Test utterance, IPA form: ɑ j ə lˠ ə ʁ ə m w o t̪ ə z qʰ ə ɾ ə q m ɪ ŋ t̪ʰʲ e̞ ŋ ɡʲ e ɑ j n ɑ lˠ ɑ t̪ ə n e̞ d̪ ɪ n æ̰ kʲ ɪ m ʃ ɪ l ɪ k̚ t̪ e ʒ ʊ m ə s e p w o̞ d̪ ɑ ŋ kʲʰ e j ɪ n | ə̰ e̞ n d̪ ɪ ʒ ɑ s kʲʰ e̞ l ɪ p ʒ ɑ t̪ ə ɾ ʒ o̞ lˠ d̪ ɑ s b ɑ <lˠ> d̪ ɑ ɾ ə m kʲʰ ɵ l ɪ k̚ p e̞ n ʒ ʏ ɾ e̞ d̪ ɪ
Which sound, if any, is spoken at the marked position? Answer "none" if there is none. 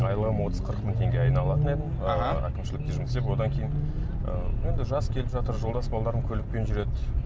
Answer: lˠ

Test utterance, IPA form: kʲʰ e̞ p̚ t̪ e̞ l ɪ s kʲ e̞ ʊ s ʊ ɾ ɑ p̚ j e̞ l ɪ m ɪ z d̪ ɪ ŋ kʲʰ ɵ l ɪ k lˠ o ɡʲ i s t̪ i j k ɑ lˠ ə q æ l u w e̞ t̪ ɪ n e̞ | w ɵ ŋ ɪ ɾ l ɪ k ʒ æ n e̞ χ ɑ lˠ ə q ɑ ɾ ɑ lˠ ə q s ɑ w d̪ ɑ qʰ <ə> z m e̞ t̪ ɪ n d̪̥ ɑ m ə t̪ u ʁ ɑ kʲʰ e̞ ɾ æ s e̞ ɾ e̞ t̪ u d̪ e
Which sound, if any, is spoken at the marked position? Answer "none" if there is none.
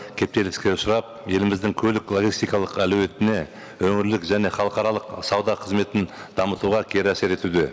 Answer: ə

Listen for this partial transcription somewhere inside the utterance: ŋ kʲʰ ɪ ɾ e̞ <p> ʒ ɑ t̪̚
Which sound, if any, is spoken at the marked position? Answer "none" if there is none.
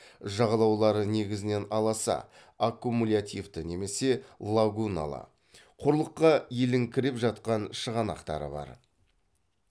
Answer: p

